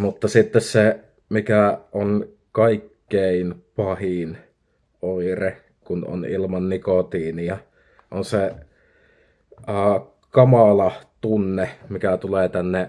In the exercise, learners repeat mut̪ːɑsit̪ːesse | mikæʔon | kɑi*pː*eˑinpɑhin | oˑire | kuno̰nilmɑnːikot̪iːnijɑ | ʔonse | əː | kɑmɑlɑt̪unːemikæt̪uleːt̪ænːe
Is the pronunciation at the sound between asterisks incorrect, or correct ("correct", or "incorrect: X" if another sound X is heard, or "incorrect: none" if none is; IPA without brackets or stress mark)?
incorrect: kː